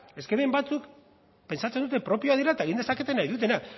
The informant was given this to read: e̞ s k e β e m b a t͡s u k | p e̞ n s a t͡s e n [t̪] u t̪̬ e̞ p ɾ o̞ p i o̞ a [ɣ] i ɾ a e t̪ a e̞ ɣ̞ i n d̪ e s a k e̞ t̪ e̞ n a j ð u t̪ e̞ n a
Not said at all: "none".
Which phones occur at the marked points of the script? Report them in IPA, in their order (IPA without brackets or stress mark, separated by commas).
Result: d̪, ð